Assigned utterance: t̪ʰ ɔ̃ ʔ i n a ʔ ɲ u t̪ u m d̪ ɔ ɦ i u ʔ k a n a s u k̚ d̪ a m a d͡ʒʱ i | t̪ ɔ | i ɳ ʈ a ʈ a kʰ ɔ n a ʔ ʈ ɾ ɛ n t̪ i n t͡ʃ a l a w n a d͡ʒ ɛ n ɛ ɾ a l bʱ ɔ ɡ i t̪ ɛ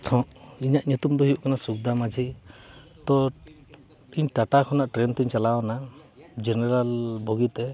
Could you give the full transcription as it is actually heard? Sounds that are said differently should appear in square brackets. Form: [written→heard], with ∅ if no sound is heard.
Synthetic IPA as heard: t̪ʰ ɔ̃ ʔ i [n→ɲ] a ʔ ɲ u t̪ u m d̪ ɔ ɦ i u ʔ k a n a s u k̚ d̪ a m a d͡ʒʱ i | t̪ ɔ | i [ɳ→ɲ] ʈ a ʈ a kʰ ɔ n a ʔ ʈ ɾ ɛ n t̪ i [n→ɲ] t͡ʃ a l a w n a d͡ʒ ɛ n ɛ ɾ a l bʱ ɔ ɡ i t̪ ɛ